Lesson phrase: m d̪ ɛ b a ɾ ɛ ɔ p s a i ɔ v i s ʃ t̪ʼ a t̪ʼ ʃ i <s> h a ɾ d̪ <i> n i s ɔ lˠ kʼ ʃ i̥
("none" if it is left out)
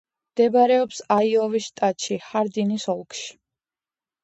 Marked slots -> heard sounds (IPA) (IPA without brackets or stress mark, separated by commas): none, i